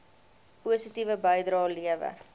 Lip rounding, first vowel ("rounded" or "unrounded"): rounded